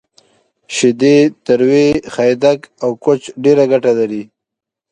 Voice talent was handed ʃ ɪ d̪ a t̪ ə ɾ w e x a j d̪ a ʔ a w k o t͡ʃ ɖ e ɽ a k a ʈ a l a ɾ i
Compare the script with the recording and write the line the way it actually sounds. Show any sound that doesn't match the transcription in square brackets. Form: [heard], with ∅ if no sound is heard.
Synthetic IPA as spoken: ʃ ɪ d̪ [e] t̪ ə ɾ w e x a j d̪ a [k] a w k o t͡ʃ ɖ e [ɾ] a [ɡ] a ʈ a l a ɾ i

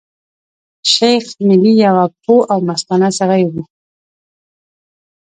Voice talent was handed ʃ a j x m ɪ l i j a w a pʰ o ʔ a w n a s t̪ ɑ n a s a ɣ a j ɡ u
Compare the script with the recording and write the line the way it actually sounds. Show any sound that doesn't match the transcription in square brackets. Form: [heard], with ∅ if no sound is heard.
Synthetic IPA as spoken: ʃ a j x m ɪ l i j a w a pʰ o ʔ a w [m] a s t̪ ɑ n a s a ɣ a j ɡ u

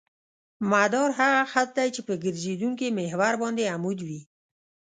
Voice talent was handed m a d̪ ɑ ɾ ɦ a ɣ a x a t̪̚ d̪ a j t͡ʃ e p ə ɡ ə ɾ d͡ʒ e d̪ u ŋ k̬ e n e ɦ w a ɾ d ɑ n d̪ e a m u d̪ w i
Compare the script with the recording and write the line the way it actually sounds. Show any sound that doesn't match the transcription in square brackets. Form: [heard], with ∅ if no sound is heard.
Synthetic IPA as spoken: m a d̪ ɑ ɾ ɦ a ɣ a x a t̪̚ d̪ a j t͡ʃ e p ə ɡ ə ɾ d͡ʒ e d̪ u ŋ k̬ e [m] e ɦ w a ɾ [b] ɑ n d̪ e a m u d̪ w i

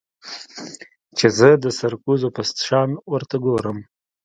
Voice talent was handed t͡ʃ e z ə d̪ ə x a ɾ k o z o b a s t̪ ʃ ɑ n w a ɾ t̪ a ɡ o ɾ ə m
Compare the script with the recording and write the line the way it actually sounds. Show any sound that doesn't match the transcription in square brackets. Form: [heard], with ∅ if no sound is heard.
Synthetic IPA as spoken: t͡ʃ e z ə d̪ ə [s] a ɾ k [u] z o [p] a s t̪ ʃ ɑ n w [ə] ɾ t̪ a ɡ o ɾ ə m

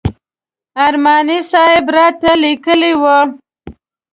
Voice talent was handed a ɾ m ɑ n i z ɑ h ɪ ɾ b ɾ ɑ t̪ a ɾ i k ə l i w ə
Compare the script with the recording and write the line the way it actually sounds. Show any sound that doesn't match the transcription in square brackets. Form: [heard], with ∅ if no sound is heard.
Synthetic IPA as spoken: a ɾ m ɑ n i [s] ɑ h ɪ [∅] b ɾ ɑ t̪ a [l] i k ə l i w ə

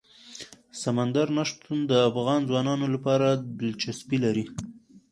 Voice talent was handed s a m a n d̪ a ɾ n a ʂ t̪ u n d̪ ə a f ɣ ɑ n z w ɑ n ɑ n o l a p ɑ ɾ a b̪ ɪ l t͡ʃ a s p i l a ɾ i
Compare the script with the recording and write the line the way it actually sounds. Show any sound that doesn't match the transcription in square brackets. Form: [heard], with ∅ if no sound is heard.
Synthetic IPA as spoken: s a m a n d̪ a ɾ n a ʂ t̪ u n d̪ ə a f ɣ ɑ n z w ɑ n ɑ n o l a p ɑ ɾ a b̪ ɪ l t͡ʃ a s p i l a ɾ i

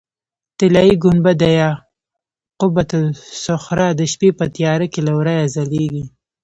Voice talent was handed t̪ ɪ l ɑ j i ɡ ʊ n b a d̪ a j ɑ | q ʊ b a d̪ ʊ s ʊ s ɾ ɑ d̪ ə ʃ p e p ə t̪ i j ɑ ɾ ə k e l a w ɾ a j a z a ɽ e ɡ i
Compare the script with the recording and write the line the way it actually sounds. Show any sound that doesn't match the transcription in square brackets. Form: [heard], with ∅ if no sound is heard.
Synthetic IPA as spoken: t̪ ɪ l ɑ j i ɡ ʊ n b a d̪ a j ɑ | q ʊ b a [t̪] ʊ s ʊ [x] ɾ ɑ d̪ ə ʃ p e p ə t̪ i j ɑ ɾ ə k e l a w ɾ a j a z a [l] e ɡ i

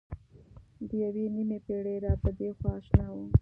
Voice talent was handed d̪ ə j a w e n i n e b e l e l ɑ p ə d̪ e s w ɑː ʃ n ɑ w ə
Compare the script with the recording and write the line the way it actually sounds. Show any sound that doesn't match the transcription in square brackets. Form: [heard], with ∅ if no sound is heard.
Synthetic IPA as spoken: d̪ ə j a w e n i [m] e [p] e [ɽ] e [ɾ] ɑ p ə d̪ e [x] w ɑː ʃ n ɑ w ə

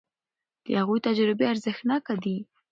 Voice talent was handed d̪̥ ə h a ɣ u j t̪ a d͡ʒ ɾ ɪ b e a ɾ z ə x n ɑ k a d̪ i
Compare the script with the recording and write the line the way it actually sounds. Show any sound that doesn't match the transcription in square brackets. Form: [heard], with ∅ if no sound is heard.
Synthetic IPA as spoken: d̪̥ ə h a ɣ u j t̪ a d͡ʒ ɾ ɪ b e a ɾ z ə x n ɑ k a d̪ i

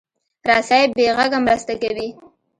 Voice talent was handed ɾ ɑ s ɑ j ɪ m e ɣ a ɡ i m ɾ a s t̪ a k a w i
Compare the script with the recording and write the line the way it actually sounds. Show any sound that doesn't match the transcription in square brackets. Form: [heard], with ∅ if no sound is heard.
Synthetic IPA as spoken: ɾ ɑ s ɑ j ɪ [b] e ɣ a ɡ [a] m ɾ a s t̪ a k a w i

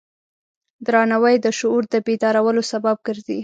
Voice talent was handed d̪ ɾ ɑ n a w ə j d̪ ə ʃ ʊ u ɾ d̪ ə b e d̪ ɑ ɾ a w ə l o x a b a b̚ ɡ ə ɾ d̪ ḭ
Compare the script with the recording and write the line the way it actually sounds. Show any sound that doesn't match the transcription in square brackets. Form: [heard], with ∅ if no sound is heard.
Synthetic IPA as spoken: d̪ ɾ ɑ n a w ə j d̪ ə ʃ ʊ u ɾ d̪ ə b e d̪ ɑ ɾ a w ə l o [s] a b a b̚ ɡ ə ɾ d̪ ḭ

